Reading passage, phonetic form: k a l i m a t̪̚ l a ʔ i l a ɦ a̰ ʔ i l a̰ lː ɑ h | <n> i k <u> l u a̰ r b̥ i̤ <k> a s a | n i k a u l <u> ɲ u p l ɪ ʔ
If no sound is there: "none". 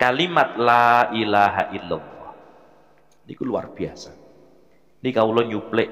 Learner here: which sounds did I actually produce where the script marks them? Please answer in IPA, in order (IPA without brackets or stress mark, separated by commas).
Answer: n, u, none, ɔ